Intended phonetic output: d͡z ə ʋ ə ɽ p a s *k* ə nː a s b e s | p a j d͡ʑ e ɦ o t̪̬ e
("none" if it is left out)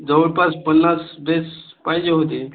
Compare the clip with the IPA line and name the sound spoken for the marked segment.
p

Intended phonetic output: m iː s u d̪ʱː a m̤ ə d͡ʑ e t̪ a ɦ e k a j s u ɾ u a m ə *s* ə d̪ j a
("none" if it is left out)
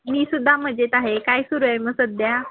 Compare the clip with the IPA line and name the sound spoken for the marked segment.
s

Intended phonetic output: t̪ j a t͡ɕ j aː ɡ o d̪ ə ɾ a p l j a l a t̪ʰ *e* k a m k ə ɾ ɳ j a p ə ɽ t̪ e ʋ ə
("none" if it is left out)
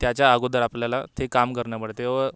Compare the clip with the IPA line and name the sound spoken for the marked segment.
e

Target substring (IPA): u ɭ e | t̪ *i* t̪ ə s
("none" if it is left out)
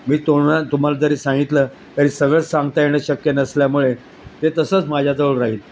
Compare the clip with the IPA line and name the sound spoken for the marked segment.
e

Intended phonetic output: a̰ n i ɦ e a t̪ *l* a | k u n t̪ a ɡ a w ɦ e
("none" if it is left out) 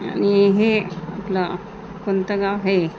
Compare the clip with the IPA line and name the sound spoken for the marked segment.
l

